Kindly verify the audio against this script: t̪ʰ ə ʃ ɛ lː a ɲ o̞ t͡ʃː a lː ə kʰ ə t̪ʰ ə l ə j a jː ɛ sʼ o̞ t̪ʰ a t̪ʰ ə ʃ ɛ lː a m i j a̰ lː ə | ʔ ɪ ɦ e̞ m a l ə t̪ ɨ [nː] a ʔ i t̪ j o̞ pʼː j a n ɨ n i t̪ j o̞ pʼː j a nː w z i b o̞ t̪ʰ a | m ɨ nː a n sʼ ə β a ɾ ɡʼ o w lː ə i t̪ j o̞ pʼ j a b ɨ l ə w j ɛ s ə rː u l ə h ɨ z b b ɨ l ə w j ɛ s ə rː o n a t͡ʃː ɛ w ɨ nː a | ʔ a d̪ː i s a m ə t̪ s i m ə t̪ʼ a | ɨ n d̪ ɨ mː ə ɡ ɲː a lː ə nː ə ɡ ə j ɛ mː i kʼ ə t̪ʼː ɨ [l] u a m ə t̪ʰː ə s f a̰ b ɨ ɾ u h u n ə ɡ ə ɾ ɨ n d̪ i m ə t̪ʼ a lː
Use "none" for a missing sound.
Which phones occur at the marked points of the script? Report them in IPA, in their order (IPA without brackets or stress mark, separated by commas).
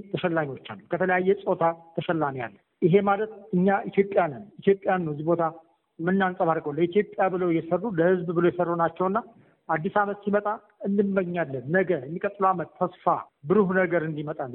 ɲː, l